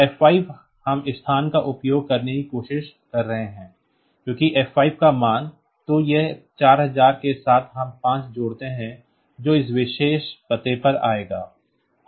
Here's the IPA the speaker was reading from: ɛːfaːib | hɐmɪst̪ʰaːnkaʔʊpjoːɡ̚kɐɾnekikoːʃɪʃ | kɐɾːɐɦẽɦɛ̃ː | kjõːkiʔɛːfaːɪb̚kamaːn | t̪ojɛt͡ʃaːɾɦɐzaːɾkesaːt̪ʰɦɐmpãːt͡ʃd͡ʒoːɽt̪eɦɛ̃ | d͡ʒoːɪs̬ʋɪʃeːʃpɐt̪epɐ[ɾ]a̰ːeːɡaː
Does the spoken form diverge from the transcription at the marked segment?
no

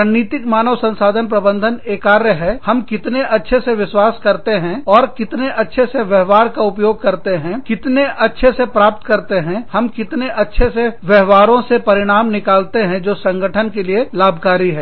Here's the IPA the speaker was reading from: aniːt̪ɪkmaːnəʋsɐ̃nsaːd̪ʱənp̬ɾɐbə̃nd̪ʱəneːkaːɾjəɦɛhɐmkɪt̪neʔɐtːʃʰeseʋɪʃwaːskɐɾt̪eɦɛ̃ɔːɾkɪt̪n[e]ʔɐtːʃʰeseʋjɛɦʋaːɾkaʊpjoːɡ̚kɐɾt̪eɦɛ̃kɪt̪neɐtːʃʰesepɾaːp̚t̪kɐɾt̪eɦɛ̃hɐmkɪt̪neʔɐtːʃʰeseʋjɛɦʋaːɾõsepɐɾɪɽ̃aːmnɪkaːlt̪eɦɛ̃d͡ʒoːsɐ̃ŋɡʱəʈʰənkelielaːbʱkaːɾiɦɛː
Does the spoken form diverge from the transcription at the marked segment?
no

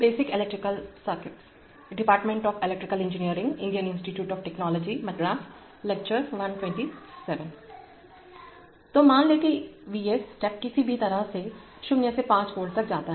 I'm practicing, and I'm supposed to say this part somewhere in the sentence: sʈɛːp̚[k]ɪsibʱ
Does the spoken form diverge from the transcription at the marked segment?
no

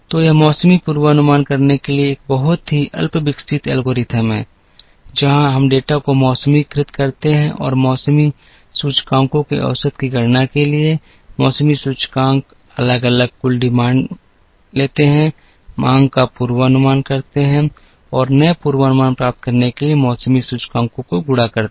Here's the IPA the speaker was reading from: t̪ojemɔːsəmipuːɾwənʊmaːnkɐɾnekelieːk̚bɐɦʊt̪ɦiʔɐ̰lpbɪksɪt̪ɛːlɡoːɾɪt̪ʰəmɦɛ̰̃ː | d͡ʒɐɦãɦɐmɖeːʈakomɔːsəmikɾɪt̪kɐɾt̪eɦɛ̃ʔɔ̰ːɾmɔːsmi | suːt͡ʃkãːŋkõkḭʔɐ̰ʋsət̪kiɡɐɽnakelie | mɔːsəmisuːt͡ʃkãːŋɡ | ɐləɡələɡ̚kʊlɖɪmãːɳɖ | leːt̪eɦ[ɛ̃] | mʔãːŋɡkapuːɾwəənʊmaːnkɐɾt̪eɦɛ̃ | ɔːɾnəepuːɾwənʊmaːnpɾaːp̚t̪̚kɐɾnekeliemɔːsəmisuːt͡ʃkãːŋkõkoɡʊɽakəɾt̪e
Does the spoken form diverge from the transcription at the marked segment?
no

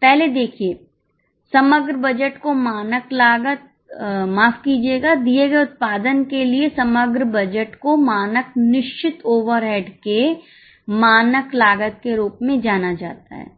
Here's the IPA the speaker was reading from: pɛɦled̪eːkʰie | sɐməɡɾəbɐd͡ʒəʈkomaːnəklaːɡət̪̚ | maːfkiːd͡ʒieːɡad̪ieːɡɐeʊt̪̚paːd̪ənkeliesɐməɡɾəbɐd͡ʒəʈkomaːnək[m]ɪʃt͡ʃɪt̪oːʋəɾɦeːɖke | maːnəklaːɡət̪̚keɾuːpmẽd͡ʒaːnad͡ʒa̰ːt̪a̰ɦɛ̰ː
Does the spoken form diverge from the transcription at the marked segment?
yes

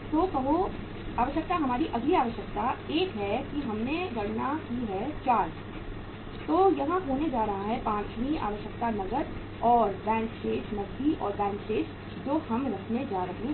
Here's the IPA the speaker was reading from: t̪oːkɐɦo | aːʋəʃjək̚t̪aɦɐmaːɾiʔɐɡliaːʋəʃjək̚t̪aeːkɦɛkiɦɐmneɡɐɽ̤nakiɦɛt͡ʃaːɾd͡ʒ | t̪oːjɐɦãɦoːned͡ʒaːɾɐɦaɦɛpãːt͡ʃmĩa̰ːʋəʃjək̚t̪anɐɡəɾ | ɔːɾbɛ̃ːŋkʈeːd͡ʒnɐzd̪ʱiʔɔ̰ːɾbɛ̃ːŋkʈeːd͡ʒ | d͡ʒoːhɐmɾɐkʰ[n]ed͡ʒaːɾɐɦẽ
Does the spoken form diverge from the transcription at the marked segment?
no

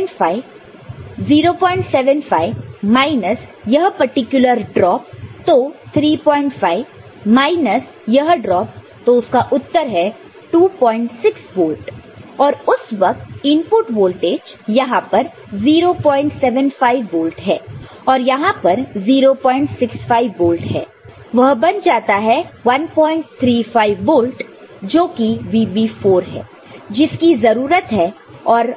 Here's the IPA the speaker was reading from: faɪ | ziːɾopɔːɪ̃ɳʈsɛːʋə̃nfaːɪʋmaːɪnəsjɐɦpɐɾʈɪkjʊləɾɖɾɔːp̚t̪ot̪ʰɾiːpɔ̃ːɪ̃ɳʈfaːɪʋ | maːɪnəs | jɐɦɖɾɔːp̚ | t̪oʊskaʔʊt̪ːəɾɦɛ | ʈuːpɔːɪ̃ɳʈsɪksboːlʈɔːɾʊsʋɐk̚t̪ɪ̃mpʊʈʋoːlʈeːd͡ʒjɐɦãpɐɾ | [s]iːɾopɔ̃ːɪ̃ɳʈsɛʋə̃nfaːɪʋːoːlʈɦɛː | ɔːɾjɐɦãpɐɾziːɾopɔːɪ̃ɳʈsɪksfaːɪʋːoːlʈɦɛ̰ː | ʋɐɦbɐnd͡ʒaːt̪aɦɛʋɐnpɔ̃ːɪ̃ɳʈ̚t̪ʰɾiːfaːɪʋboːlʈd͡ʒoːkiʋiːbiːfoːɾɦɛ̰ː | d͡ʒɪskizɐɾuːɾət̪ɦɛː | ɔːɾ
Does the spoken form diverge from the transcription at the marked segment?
yes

